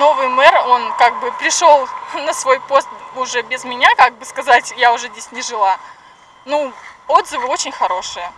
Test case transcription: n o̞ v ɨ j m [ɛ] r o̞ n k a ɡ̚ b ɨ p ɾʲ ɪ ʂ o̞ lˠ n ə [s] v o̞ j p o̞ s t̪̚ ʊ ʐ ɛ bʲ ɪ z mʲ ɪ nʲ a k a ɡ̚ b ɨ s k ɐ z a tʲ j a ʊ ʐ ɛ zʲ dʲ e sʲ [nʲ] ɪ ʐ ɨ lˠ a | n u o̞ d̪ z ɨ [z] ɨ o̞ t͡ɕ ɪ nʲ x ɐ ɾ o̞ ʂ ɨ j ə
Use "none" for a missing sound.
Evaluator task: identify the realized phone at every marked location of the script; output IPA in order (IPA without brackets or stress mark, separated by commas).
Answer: ɛ, s, nʲ, v